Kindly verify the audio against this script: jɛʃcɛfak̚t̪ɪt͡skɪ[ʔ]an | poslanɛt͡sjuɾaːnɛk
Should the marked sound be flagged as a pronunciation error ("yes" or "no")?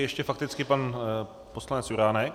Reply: yes